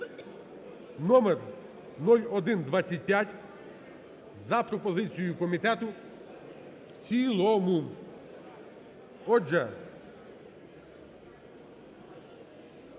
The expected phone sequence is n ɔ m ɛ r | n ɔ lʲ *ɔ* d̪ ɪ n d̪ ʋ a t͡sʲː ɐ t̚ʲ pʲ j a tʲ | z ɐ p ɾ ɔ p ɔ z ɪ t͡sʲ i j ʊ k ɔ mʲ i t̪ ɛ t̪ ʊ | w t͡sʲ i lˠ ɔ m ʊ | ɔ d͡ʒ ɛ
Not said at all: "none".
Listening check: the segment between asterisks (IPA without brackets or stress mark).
ɔ